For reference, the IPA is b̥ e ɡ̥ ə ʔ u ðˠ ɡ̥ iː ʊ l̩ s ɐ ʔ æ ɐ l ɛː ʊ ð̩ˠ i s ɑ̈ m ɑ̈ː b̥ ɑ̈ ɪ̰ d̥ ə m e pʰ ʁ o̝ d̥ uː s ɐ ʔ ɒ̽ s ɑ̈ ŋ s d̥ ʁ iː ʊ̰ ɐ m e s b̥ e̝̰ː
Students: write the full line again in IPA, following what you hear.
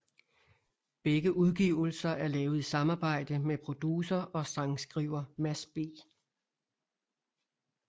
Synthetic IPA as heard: b̥ e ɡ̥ ə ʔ u ðˠ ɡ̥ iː ʊ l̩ s ɐ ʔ æ ɐ l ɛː ʊ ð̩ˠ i s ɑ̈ m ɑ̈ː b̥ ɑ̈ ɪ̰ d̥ ə m e pʰ ʁ o̝ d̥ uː s ɐ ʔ ɒ̽ s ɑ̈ ŋ s ɡ̥ ʁ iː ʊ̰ ɐ m æ s b̥ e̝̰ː